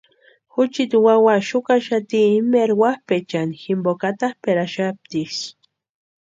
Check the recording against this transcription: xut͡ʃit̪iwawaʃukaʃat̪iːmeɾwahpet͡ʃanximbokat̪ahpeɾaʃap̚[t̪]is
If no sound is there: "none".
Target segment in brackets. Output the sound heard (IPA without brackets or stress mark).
t̪